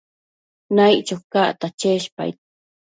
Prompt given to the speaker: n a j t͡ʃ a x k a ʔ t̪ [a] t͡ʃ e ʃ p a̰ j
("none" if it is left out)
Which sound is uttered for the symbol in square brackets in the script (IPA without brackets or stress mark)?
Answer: a